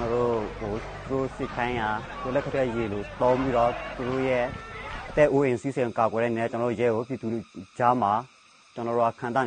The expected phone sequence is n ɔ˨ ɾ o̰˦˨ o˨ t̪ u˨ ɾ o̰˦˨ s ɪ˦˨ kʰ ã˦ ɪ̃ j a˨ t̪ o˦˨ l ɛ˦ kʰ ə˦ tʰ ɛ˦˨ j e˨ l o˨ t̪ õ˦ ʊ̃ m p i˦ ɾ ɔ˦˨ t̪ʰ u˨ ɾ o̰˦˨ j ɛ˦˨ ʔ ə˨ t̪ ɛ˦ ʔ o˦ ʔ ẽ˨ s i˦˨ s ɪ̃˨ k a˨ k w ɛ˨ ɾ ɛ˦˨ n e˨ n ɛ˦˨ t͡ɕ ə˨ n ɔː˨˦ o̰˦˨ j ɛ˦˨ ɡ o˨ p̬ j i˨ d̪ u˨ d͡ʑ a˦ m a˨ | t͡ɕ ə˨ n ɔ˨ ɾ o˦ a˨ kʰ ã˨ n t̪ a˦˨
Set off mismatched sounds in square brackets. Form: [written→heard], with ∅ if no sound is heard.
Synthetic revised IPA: n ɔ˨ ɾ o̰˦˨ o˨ t̪ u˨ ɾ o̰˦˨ s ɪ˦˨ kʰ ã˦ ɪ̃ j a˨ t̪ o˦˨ l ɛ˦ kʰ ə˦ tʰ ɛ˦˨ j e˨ l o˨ t̪ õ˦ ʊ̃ m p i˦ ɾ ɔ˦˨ [t̪ʰ→t̪] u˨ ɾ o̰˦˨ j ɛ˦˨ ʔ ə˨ t̪ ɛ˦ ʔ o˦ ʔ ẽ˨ s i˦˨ s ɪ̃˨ k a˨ k w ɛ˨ ɾ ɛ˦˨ n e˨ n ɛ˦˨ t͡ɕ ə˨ n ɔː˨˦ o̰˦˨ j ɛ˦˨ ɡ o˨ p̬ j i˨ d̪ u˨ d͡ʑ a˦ m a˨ | t͡ɕ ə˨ n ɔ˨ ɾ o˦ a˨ kʰ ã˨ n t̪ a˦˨